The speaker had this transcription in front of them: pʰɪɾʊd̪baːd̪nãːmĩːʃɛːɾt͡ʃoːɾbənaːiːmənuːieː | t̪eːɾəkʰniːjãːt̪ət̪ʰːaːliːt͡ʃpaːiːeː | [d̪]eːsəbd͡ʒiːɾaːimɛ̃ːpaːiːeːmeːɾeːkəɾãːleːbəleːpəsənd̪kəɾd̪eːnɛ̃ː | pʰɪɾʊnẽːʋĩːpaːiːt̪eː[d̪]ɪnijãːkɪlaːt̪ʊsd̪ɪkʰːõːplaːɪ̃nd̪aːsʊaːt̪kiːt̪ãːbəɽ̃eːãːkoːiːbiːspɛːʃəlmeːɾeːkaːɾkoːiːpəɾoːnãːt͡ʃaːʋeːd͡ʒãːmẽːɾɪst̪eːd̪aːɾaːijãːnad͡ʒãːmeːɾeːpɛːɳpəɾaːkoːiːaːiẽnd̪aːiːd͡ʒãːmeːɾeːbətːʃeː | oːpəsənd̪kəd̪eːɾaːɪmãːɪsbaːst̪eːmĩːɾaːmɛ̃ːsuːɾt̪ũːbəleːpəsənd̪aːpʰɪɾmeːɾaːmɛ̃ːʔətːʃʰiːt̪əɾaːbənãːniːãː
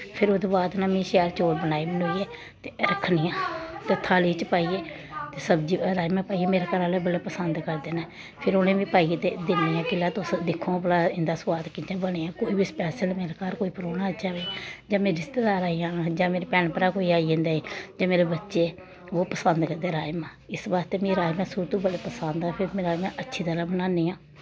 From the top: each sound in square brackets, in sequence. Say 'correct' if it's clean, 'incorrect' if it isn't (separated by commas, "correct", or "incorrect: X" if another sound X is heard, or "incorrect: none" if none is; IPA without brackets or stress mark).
incorrect: t̪, correct